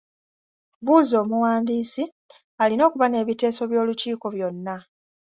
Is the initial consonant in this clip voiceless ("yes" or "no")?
no